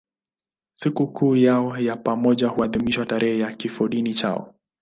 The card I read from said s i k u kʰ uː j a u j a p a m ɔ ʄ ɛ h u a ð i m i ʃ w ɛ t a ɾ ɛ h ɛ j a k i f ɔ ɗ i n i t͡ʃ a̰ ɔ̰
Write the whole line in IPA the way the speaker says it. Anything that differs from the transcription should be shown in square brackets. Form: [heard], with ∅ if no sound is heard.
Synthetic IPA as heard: s i k u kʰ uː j a [ɔ] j a p a m ɔ ʄ [a] h u a ð i m i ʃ w [a] t a ɾ ɛ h ɛ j a k i f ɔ ɗ i n i t͡ʃ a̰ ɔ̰